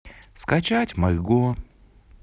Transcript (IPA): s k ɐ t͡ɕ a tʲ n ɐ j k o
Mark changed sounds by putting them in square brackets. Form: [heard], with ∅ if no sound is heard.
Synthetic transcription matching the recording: s k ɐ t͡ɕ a tʲ [m] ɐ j [ɡ] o